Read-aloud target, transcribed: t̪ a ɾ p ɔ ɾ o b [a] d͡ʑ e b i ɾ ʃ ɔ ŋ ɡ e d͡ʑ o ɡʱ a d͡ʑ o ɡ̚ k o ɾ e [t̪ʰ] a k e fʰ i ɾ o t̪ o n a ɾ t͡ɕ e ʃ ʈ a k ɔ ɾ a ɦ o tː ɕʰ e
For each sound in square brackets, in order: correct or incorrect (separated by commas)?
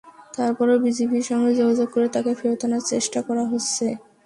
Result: incorrect, incorrect